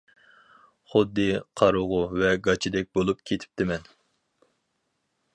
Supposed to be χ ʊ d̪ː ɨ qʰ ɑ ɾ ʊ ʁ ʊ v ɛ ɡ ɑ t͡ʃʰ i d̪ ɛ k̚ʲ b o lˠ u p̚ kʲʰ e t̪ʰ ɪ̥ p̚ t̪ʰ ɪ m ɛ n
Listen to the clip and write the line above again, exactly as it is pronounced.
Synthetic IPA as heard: χ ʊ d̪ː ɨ qʰ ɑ ɾ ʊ ʁ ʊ v ɛ ɡ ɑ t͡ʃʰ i d̪ ɛ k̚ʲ b o lˠ u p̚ kʲʰ e t̪ʰ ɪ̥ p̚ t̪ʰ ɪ m ɛ n